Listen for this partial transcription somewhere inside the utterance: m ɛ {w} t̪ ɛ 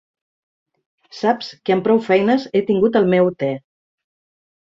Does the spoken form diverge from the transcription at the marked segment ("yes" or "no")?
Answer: no